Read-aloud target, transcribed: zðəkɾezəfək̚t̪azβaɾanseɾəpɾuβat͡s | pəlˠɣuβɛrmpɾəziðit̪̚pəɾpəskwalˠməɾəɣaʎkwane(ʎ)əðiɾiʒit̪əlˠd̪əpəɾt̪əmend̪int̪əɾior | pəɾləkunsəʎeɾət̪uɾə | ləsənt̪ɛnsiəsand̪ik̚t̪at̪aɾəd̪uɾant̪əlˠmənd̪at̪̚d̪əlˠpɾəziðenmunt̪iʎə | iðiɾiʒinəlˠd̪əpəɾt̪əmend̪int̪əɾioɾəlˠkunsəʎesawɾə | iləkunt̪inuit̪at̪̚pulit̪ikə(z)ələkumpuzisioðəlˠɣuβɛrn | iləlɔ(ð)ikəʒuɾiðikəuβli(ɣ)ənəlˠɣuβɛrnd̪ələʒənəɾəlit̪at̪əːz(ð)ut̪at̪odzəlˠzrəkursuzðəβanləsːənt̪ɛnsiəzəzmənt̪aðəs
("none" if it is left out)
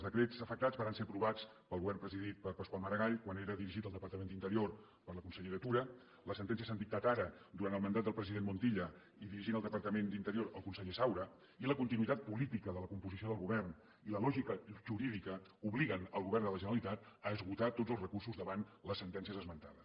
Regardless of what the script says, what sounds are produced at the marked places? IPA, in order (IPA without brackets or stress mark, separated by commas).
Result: ɾ, ð, ʒ, ɣ, ɣ